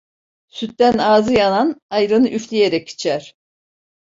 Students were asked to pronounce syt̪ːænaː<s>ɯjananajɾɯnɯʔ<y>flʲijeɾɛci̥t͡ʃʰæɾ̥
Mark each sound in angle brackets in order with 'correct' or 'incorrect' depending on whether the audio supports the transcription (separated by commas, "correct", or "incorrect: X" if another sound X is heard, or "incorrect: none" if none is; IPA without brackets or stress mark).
incorrect: z, correct